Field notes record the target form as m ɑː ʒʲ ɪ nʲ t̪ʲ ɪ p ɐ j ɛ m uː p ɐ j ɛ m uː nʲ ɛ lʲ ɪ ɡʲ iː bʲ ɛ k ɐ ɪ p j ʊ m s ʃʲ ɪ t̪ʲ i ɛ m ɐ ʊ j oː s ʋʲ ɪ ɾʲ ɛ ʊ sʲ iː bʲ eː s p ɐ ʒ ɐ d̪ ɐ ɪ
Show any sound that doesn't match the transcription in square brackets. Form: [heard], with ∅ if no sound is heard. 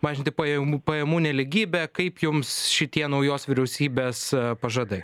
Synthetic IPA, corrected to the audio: m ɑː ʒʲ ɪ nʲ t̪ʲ ɪ p ɐ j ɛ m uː p ɐ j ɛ m uː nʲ ɛ lʲ ɪ ɡʲ iː bʲ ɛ k ɐ ɪ p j ʊ m s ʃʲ ɪ t̪ʲ i ɛ [n] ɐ ʊ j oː s ʋʲ ɪ ɾʲ ɛ ʊ sʲ iː bʲ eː s p ɐ ʒ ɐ d̪ ɐ ɪ